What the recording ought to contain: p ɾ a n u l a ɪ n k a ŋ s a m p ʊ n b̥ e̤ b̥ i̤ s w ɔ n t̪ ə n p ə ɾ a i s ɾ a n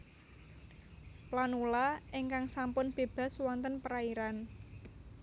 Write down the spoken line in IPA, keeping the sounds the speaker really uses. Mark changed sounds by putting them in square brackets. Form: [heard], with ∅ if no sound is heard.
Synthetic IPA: p [l] a n u l a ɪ [ŋ] k a ŋ s a m p ʊ n b̥ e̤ b̥ [a̤] s w ɔ n t̪ ə n p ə ɾ a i [∅] ɾ a n